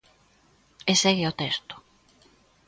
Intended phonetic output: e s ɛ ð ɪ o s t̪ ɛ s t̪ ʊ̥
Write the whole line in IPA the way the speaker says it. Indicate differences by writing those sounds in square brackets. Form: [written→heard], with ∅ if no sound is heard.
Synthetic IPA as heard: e s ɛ [ð→ɣ] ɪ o [s→∅] t̪ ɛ s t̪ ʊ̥